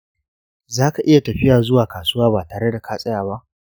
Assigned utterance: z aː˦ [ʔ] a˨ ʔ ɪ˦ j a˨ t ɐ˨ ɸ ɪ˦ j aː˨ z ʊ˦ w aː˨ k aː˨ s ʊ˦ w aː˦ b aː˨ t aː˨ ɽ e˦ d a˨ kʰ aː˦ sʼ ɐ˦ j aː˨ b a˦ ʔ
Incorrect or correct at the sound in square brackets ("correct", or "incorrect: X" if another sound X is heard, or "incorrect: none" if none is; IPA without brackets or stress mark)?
incorrect: k